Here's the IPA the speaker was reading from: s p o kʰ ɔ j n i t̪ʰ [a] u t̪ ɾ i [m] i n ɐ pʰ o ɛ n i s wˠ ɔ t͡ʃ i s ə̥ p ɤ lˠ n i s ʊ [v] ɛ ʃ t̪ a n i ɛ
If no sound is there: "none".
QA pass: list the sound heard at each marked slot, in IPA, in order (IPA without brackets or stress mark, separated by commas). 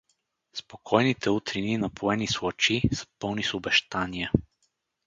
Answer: ɛ, n, b